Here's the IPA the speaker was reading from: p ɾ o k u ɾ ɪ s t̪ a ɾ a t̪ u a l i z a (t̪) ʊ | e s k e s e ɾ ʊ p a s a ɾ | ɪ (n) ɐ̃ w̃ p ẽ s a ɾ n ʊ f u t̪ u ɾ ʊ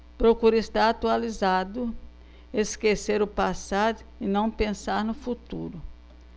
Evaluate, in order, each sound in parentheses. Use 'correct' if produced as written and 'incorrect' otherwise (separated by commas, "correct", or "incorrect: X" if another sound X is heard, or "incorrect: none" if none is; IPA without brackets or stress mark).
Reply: incorrect: d̪, correct